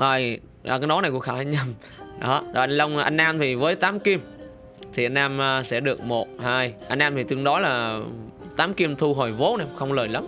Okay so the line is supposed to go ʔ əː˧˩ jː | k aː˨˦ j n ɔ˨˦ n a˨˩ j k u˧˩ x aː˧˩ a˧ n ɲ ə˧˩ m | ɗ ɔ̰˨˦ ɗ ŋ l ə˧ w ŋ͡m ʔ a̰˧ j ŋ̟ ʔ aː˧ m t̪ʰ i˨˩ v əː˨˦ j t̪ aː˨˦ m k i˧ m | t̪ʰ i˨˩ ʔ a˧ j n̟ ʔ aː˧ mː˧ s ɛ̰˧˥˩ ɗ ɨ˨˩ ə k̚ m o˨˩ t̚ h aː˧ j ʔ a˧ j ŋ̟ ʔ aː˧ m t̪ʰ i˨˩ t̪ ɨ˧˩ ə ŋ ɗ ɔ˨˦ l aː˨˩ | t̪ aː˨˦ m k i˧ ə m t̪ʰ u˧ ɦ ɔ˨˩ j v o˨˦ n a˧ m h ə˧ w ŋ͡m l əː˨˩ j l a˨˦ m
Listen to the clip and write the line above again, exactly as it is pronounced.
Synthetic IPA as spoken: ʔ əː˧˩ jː | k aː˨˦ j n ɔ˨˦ n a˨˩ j k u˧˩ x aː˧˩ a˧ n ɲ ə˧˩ m | ɗ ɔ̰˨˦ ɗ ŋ l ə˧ w ŋ͡m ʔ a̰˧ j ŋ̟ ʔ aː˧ m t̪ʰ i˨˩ v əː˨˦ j t̪ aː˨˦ m k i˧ m | t̪ʰ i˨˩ ʔ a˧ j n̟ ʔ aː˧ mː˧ s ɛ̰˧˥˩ ɗ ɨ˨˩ ə k̚ m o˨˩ t̚ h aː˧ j ʔ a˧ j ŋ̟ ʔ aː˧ m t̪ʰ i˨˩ t̪ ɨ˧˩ ə ŋ ɗ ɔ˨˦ l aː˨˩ | t̪ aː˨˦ m k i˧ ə m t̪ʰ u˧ ɦ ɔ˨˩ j v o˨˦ n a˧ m x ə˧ w ŋ͡m l əː˨˩ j l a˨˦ m